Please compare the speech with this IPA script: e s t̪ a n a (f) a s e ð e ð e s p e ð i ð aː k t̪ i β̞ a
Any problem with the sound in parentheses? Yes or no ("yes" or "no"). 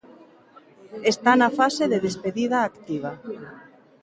no